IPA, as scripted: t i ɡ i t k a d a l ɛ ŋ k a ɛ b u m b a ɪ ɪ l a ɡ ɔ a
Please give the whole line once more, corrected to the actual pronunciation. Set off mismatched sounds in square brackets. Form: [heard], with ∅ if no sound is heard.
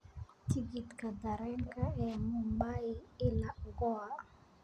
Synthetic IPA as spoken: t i ɡ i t k a d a [ɾ] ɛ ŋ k a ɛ [m] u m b a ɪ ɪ l a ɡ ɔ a